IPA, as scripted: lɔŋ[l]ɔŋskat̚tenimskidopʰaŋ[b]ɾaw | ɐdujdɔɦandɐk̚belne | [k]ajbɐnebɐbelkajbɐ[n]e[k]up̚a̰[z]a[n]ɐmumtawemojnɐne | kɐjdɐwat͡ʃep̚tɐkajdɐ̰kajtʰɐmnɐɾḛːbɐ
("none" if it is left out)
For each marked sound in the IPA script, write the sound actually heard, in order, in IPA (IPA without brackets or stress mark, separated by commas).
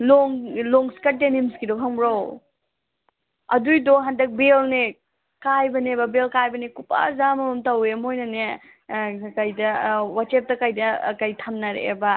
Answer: l, b, k, n, k, z, m